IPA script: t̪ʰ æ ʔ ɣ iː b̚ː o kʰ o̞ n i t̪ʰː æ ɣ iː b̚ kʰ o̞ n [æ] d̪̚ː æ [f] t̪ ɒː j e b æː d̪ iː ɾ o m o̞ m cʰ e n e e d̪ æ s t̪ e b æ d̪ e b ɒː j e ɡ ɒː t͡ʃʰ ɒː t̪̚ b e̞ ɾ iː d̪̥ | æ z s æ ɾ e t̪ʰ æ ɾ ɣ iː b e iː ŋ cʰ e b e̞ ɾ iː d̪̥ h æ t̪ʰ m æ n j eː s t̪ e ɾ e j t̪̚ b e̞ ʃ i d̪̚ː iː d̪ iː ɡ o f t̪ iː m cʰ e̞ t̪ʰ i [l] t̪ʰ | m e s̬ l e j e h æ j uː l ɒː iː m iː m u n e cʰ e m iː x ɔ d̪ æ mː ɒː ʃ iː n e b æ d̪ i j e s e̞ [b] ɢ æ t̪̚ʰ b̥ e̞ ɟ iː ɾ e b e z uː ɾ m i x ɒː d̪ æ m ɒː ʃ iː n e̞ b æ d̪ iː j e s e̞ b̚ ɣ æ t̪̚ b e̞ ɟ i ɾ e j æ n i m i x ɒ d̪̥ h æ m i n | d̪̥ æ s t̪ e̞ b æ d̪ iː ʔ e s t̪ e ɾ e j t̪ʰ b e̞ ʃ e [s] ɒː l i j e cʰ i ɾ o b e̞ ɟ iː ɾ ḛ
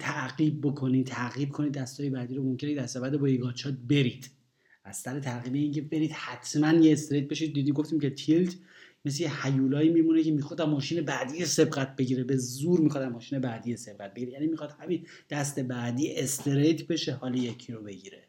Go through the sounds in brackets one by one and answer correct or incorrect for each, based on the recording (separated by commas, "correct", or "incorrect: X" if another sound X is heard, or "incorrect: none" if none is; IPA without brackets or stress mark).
incorrect: i, incorrect: s, correct, correct, incorrect: h